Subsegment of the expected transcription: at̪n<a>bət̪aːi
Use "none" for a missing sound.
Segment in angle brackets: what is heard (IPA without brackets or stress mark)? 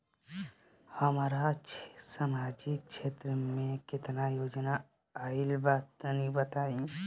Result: i